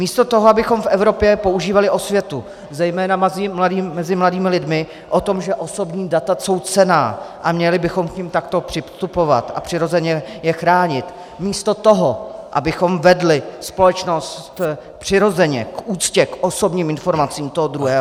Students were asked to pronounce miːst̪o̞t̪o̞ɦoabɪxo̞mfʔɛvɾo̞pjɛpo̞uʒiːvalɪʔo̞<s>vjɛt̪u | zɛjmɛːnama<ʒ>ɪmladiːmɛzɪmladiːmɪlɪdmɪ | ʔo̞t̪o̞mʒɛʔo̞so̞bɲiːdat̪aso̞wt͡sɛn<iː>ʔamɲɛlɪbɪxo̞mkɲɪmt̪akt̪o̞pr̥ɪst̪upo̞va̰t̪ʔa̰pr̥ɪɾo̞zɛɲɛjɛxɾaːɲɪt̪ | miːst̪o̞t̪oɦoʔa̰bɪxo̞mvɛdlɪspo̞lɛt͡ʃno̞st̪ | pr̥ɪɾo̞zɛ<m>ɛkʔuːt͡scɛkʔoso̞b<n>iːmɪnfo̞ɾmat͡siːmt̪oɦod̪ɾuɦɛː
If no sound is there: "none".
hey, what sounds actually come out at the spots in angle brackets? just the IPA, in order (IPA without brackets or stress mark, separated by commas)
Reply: s, z, aː, ɲ, ɲ